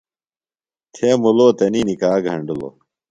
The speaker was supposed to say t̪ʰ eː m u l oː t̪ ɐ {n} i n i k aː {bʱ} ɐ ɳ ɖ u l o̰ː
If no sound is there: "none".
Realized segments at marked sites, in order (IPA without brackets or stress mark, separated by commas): n, ɡʱ